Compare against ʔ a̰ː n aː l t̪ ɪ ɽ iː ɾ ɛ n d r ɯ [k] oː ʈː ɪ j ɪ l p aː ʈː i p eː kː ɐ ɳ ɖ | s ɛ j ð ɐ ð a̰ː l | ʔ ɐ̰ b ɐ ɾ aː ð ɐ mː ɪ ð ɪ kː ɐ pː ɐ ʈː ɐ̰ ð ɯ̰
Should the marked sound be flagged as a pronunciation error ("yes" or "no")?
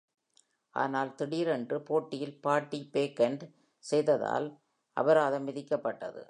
yes